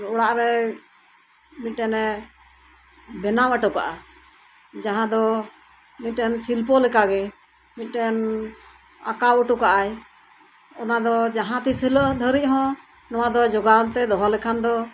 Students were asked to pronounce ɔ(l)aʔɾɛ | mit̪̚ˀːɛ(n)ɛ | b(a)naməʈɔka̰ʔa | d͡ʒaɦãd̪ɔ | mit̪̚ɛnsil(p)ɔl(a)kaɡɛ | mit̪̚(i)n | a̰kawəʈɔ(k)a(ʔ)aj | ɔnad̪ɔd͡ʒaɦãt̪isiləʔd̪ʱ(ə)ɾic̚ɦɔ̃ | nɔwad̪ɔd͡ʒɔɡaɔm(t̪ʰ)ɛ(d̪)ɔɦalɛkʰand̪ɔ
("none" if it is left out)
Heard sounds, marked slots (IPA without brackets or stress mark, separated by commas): ɽ, n, ɛ, p, ɛ, ɛ, k, ʔ, ə, t̪, d̪